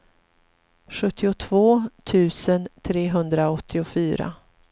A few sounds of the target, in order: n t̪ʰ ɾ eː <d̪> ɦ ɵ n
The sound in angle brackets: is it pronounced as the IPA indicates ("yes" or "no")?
no